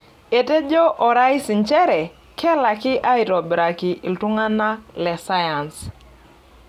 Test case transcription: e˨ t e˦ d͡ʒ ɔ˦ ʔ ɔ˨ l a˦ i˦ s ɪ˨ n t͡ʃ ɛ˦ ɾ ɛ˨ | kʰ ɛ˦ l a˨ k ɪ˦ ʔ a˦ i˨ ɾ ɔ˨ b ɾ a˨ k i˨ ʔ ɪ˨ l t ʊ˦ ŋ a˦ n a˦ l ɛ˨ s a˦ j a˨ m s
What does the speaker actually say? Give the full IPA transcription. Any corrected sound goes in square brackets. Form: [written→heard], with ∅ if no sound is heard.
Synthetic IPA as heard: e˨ t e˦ d͡ʒ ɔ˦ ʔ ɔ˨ [l→ɾ] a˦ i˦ s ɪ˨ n t͡ʃ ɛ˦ ɾ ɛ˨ | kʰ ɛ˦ l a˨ k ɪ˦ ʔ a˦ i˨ ɾ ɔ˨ b ɾ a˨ k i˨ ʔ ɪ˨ l t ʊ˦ ŋ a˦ n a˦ l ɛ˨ s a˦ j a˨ [m→n] s